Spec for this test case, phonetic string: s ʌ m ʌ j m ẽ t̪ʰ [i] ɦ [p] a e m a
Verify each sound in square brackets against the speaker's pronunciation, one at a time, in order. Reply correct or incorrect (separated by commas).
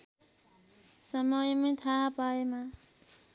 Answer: incorrect, correct